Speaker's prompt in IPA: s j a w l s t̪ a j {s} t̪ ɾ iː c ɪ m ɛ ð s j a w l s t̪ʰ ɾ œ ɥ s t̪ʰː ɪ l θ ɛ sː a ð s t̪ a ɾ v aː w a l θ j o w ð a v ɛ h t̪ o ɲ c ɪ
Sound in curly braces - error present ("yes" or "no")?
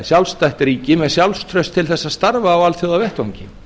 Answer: yes